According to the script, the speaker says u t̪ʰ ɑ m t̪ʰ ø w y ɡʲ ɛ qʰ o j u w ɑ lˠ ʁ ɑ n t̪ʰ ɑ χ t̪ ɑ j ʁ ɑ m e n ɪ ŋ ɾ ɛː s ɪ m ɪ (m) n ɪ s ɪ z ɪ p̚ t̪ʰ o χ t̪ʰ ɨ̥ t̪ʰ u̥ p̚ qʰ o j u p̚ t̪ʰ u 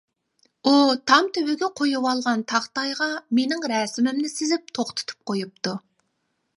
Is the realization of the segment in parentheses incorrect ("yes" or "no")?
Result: no